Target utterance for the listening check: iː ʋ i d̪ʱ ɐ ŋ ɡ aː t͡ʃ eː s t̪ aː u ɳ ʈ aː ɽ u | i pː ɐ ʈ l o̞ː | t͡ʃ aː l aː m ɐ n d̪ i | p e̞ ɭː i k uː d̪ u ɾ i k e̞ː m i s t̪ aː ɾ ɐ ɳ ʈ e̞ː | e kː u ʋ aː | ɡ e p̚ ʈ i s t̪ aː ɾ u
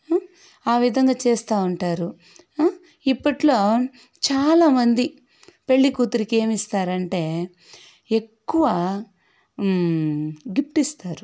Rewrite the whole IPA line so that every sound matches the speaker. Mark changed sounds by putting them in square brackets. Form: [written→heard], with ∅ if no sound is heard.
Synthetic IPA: [iː→aː] ʋ i d̪ʱ ɐ ŋ ɡ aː t͡ʃ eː s t̪ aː u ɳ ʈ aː [ɽ→ɾ] u | i pː ɐ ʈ l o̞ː | t͡ʃ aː l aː m ɐ n d̪ i | p e̞ ɭː i k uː [d̪→t̪] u ɾ i k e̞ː m i s t̪ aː ɾ ɐ ɳ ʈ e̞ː | e kː u ʋ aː | ɡ [e→i] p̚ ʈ i s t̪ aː ɾ u